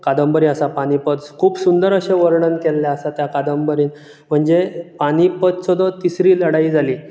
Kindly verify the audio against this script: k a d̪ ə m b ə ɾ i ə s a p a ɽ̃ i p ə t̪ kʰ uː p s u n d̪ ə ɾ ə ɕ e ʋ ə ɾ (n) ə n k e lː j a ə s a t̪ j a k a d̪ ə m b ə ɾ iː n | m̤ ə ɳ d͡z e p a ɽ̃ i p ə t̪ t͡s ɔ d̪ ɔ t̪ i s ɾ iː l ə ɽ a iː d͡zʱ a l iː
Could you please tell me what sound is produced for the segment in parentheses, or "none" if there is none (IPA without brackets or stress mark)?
ɳ